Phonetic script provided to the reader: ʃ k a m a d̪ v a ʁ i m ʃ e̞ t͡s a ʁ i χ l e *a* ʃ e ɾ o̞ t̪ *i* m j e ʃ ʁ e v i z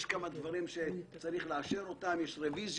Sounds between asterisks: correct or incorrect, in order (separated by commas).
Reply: correct, incorrect